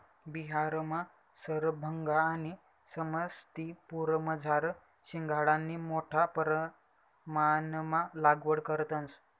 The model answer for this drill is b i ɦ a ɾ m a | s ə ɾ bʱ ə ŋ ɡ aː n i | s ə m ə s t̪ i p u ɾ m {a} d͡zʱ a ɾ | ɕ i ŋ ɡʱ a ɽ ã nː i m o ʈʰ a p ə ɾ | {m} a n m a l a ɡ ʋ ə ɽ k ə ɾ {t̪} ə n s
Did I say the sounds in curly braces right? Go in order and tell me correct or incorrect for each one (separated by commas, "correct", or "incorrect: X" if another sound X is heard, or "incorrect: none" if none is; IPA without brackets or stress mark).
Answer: incorrect: ə, correct, correct